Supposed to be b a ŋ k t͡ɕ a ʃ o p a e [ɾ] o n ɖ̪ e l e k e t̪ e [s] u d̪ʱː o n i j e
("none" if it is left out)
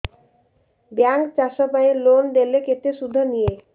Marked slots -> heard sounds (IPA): l, ʃ

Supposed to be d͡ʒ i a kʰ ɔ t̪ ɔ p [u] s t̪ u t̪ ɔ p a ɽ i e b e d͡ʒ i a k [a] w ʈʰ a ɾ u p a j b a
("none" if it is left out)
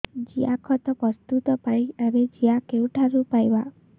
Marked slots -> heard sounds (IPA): ɔ, e

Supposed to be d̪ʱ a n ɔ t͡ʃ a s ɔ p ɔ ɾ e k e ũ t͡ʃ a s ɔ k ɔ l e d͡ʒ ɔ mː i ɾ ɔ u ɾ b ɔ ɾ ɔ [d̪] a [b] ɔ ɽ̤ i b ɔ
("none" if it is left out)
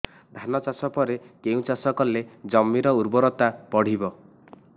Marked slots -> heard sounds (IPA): t̪, p

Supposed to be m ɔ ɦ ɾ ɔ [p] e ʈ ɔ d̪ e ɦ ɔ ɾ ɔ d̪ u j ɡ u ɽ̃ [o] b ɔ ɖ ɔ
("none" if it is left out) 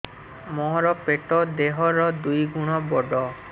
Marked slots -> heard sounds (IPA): p, ɔ

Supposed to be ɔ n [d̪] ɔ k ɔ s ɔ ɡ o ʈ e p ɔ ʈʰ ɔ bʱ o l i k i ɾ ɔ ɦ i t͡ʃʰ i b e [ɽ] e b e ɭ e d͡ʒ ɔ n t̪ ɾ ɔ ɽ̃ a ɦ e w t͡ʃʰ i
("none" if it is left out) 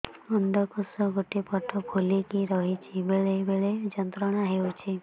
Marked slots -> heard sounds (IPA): d̪, ɭ

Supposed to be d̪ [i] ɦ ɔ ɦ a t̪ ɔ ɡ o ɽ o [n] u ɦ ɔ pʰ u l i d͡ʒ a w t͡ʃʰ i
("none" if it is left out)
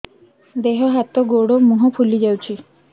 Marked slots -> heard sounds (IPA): e, m

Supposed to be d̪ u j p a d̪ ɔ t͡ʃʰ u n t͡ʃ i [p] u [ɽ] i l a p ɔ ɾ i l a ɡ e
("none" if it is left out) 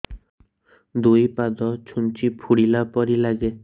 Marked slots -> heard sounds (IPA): pʰ, ɽ

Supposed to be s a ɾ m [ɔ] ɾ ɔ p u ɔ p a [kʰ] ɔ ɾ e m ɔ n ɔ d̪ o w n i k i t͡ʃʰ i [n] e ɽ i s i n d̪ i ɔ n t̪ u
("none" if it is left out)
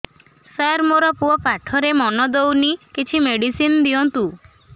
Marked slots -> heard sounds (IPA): o, ʈʰ, m

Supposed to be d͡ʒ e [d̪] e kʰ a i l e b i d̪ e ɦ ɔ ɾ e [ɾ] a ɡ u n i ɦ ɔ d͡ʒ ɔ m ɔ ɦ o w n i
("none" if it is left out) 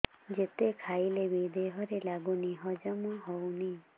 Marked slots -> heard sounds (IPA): t̪, l

